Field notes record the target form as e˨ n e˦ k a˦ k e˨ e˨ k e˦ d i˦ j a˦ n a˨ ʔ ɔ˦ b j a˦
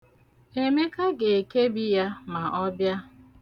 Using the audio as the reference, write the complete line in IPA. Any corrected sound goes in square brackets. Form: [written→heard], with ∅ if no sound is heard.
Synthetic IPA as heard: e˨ [n→m] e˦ k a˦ [k→ɡ] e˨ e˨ k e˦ [d→b] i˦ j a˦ [n→m] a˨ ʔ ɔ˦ b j a˦